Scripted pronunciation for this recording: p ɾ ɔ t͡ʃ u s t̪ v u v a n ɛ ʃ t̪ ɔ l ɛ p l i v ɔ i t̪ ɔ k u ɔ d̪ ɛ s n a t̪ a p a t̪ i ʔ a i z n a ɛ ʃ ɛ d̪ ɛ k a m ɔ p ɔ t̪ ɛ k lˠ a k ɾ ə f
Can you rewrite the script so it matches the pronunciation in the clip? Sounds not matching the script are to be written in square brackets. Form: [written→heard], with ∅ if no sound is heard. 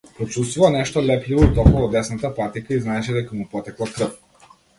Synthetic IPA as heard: p ɾ ɔ t͡ʃ u s t̪ v u v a n ɛ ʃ t̪ ɔ l ɛ p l i v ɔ i t̪ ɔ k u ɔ d̪ ɛ s n a t̪ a p a t̪ i [ʔ→k] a i z n a ɛ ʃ ɛ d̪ ɛ k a m [ɔ→u] p ɔ t̪ ɛ k lˠ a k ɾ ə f